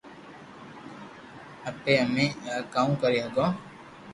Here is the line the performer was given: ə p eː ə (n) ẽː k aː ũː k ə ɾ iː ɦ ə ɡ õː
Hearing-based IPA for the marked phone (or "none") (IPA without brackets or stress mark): m